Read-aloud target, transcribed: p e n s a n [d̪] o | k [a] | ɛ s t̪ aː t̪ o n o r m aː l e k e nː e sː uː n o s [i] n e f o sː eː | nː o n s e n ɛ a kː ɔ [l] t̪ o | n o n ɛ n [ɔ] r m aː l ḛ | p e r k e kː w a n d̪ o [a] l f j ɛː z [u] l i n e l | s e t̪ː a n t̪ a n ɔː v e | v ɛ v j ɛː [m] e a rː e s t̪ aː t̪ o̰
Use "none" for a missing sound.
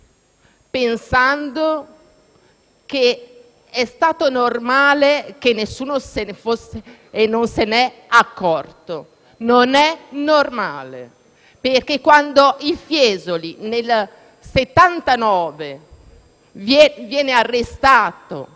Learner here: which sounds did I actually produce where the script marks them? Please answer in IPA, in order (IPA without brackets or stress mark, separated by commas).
d̪, e, e, r, o, i, o, n